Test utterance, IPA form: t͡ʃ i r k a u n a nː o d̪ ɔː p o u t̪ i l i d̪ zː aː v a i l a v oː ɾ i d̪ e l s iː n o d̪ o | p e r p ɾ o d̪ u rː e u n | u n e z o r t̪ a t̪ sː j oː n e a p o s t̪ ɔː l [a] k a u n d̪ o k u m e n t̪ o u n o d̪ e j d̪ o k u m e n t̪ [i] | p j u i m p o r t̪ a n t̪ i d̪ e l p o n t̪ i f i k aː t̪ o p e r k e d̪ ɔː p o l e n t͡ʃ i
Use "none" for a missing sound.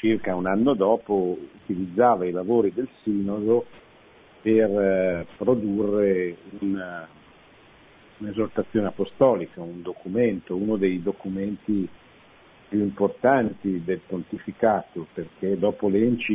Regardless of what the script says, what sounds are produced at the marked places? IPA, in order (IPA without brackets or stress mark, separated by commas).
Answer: i, i